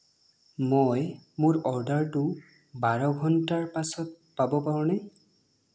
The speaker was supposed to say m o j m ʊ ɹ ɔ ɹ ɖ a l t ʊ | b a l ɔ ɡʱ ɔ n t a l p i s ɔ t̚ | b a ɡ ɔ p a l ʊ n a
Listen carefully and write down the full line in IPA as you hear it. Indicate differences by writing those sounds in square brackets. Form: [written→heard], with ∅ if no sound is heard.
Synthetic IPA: m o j m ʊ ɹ ɔ ɹ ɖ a [l→ɹ] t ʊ | b a [l→ɹ] ɔ ɡʱ ɔ n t a [l→ɹ] p [i→a] s ɔ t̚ | [b→p] a [ɡ→b] ɔ p a [l→ɹ] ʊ n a